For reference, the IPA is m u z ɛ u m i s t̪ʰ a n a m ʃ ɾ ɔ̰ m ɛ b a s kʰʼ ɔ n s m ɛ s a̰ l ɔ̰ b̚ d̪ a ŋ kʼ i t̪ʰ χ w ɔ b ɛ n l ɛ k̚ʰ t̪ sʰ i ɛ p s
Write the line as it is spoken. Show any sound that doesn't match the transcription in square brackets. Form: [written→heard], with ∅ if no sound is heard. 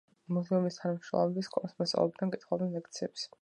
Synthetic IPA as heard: m u z ɛ u m i s t̪ʰ a n a m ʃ ɾ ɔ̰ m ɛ b [a→i] s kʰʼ ɔ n s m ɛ s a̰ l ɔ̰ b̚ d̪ a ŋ kʼ i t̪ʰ χ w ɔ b ɛ n l ɛ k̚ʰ t̪ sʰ i ɛ p s